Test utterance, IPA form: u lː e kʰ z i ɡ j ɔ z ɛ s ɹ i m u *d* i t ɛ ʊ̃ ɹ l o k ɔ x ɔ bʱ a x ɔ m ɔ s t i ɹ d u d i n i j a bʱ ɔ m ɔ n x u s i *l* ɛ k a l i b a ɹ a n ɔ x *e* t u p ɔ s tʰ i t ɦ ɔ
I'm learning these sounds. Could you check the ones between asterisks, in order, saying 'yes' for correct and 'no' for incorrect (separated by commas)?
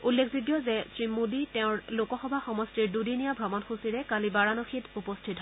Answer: yes, no, no